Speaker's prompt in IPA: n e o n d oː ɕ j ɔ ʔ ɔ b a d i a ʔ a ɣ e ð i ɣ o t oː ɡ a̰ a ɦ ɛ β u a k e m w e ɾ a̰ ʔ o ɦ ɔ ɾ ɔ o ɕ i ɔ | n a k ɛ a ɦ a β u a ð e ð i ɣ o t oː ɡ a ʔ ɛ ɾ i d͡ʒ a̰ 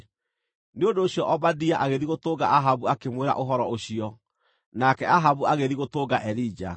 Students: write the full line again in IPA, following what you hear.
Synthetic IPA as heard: n e o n d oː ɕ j ɔ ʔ ɔ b a d i a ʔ a ɣ e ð i ɣ o t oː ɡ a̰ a ɦ a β u a k e m w e ɾ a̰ ʔ o ɦ ɔ ɾ ɔ o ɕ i ɔ | n a k ɛ a ɦ a β u a ɣ e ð i ɣ o t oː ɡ a ʔ ɛ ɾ i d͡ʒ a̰